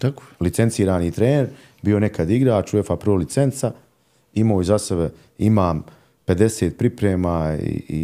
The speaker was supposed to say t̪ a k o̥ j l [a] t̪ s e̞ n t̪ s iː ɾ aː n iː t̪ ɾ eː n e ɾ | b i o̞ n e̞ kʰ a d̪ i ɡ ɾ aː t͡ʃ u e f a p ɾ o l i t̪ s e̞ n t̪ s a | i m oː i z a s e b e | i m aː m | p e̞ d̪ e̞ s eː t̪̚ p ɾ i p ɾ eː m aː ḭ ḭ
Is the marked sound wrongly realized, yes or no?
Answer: yes